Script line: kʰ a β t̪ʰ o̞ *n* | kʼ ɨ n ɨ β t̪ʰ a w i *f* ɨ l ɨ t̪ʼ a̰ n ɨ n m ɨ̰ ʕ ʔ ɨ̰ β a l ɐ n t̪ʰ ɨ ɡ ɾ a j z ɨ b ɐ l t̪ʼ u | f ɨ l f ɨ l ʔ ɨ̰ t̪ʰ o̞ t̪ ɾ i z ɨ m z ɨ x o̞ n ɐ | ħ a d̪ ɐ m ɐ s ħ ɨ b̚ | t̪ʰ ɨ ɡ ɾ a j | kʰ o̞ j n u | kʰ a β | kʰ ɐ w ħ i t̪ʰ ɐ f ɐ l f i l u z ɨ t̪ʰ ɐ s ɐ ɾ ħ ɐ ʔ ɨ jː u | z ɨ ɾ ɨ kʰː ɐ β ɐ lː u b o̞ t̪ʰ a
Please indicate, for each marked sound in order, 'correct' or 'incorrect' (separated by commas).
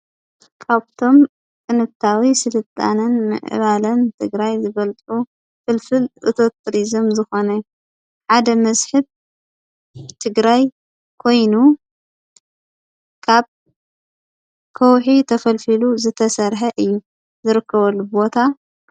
incorrect, incorrect